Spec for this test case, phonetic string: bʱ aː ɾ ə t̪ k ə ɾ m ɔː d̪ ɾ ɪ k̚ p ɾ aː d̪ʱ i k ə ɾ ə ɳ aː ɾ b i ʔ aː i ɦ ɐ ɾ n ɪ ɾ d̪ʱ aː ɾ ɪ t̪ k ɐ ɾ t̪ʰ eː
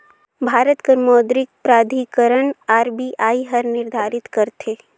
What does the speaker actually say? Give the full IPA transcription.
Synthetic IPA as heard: bʱ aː ɾ ə t̪ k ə ɾ m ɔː d̪ ɾ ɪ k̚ p ɾ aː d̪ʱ i k ə ɾ ə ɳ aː ɾ b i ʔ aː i ɦ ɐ ɾ n ɪ ɾ d̪ʱ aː ɾ ɪ t̪ k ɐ ɾ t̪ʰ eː